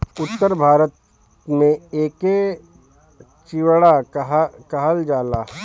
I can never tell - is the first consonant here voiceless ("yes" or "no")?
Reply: yes